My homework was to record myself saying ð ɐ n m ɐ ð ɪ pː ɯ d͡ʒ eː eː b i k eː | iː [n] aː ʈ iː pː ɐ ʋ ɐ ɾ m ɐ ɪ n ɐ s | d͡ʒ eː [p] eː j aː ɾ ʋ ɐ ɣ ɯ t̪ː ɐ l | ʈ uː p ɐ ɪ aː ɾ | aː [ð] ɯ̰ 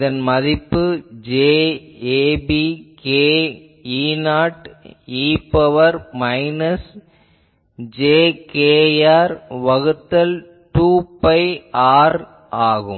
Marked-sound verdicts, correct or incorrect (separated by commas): correct, incorrect, incorrect